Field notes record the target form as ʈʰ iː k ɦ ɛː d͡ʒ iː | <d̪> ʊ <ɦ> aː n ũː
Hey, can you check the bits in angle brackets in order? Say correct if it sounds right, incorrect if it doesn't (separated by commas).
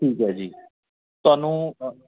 incorrect, incorrect